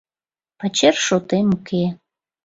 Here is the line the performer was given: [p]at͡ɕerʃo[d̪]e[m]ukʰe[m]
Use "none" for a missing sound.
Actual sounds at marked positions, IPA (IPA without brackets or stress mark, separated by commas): p, t̪, m, none